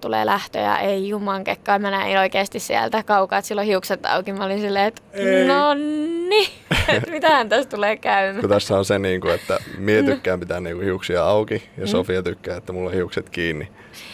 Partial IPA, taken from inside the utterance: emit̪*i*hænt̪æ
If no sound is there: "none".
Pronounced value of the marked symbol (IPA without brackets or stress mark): æ